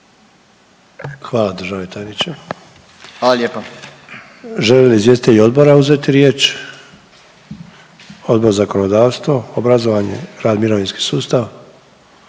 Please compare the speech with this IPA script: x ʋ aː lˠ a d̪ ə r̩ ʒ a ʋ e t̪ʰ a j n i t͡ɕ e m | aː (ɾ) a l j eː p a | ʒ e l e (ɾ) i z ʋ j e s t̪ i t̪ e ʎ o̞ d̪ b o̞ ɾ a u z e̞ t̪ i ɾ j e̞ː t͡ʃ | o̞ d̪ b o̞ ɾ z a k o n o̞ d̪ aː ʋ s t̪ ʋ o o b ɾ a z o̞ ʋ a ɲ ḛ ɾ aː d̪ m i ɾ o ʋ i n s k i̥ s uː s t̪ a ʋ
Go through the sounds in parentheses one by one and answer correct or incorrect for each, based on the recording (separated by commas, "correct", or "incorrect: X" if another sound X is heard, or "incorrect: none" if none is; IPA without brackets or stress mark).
incorrect: l, incorrect: l